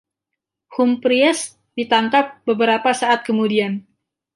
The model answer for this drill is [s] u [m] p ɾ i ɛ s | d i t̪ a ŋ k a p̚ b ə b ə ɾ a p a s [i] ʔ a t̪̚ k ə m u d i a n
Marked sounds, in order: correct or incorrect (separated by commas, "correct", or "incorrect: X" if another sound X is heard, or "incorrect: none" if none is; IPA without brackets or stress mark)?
incorrect: h, correct, incorrect: a